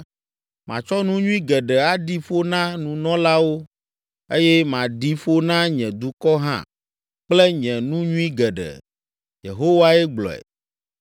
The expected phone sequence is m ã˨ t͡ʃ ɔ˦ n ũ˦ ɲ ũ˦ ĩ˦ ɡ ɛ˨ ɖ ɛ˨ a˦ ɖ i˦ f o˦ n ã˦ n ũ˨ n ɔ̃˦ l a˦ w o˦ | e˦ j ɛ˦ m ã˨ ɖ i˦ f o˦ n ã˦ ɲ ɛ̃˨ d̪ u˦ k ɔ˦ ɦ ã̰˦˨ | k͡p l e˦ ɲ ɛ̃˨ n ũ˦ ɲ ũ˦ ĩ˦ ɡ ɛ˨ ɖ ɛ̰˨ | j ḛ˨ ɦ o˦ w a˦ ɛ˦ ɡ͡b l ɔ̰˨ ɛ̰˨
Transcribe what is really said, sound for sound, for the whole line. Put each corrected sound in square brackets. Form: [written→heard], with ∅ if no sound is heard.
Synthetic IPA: m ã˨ t͡ʃ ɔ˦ n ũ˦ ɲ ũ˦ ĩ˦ ɡ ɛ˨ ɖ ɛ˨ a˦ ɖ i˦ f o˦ n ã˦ n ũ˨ n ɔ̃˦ l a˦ w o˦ | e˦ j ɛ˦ m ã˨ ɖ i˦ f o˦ n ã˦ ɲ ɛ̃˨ d̪ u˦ k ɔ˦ ɦ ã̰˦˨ | k͡p l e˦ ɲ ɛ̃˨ n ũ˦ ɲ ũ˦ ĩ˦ ɡ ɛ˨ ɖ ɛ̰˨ | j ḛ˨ ɦ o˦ w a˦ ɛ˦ ɡ͡b l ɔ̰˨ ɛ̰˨